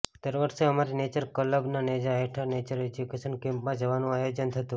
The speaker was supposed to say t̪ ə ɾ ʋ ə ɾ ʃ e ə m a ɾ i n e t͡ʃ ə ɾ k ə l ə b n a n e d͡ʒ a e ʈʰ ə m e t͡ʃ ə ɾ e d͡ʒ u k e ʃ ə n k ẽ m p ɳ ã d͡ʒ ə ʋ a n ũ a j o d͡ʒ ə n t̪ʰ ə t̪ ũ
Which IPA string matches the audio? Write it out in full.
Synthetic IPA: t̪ ə ɾ ʋ ə ɾ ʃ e ə m a ɾ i n e t͡ʃ ə ɾ k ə l ə b n a n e d͡ʒ a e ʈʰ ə n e t͡ʃ ə ɾ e d͡ʒ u k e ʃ ə n k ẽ m p m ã d͡ʒ ə ʋ a n ũ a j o d͡ʒ ə n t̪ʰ ə t̪ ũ